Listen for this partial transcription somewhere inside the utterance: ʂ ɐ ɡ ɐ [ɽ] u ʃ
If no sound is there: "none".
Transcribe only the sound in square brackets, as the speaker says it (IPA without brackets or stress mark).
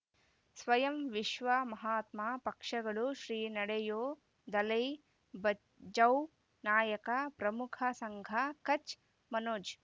ɭ